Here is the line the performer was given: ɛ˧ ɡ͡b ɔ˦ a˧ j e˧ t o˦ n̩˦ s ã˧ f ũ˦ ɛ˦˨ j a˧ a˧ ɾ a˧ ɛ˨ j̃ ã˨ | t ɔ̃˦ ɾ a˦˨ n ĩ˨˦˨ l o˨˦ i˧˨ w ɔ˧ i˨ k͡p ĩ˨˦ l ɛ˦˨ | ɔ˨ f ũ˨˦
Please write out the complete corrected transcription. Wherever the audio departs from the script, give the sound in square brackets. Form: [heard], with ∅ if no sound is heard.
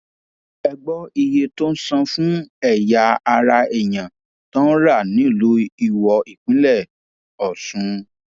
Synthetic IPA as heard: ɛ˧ ɡ͡b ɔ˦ [i˧] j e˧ t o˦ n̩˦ s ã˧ f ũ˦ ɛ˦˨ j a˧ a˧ ɾ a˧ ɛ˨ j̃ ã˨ | t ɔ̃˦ ɾ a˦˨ n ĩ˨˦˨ l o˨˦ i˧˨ w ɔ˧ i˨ k͡p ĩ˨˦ l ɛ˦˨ | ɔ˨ [s] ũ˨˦